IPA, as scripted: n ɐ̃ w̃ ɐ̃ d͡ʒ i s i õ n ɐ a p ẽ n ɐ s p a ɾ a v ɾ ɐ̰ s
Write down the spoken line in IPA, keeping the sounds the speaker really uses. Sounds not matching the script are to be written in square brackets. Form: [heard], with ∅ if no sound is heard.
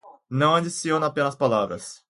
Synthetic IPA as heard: n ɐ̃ w̃ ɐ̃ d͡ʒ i s i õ n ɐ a p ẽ n ɐ s p a [l] a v ɾ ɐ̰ s